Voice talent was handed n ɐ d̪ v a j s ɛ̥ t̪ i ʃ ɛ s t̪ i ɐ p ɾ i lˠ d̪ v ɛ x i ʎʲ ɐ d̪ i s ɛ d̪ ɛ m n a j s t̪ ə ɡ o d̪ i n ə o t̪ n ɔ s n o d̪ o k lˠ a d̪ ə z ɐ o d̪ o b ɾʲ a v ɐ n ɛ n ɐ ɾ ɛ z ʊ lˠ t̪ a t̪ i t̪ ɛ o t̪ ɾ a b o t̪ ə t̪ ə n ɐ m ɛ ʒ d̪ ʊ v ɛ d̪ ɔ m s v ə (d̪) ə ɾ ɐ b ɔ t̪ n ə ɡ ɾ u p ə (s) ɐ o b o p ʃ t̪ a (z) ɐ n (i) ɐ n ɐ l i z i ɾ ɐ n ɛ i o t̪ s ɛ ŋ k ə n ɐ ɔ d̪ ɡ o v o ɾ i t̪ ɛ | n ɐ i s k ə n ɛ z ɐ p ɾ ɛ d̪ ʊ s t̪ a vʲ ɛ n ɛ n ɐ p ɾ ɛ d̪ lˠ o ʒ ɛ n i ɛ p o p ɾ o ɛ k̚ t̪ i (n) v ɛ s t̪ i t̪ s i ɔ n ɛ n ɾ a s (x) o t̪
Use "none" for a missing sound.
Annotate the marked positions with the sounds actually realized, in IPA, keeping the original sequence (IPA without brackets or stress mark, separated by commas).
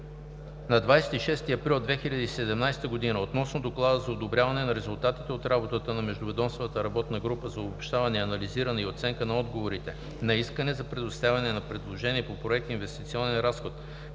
t̪, z, v, ɛ, n, x